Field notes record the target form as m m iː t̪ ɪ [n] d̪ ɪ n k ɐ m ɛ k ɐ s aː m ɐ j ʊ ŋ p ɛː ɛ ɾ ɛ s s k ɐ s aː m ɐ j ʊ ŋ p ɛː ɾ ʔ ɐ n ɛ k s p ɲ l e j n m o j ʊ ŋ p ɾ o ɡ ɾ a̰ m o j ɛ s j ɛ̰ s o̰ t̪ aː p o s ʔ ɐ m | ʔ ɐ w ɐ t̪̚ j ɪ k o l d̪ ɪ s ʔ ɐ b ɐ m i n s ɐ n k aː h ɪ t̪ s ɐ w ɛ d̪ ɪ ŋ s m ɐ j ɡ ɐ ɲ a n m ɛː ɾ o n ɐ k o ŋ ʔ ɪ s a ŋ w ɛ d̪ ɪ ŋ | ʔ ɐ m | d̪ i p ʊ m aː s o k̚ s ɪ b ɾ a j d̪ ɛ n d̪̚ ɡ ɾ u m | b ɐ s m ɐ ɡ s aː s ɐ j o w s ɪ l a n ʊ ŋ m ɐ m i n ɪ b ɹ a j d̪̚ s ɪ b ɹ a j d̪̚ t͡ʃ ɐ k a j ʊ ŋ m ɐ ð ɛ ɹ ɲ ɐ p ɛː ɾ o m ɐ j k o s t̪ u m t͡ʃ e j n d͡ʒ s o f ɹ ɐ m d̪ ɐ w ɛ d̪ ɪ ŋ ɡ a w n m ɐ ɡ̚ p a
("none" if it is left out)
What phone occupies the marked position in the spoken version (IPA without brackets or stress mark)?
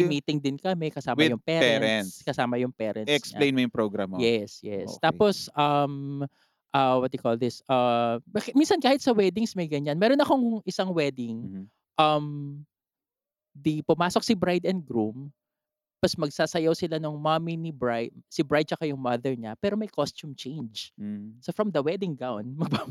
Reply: ŋ